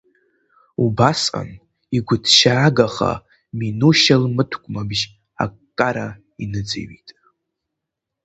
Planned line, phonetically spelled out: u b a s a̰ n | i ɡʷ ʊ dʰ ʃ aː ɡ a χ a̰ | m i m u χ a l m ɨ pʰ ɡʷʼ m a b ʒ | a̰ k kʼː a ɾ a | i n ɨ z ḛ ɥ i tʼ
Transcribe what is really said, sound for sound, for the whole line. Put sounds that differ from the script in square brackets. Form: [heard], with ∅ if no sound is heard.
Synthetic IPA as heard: u b a s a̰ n | i ɡʷ ʊ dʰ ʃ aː ɡ a χ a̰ | m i [n] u [ʃ] a l m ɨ [tʰ] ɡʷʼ m a b ʒ | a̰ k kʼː a ɾ a | i n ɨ [d͡z] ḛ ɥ i tʼ